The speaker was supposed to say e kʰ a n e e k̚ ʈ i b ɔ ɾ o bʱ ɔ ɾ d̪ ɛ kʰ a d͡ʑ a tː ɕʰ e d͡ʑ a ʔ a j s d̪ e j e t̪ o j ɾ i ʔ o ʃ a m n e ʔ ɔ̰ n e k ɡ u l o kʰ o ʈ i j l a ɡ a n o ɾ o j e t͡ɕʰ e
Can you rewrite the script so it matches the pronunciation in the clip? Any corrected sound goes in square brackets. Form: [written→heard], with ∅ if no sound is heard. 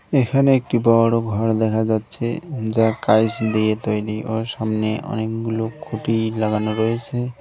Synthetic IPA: e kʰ a n e e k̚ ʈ i b ɔ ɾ o [bʱ→ɡʱ] ɔ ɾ d̪ ɛ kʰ a d͡ʑ a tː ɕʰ e d͡ʑ a [ʔ→k] a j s d̪ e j e t̪ o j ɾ i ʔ o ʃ a m n e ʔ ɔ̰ n e k ɡ u l o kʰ o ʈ i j l a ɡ a n o ɾ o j e t͡ɕʰ e

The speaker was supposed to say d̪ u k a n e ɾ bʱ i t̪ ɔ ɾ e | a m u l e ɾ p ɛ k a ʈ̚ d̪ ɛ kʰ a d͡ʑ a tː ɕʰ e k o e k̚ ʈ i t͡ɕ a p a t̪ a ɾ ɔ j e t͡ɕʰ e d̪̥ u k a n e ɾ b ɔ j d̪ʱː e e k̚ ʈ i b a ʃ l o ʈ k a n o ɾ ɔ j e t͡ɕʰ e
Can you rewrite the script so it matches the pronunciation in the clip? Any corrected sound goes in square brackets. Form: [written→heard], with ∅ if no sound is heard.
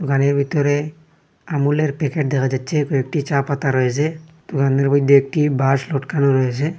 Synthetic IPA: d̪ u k a n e ɾ bʱ i t̪ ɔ ɾ e | a m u l e ɾ p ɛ k [a→e] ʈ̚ d̪ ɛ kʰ a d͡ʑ a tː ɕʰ e k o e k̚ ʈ i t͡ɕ a p a t̪ a ɾ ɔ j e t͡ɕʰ e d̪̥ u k a n e ɾ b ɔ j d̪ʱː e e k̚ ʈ i b a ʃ l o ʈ k a n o ɾ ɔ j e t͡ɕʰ e

